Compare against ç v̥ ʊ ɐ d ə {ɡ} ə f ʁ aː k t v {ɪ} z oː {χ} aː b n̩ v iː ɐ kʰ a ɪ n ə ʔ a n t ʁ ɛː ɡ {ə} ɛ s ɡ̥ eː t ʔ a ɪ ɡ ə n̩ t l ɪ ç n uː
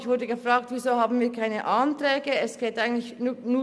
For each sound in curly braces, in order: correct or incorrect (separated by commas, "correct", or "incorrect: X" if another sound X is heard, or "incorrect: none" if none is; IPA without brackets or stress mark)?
correct, incorrect: i, incorrect: h, correct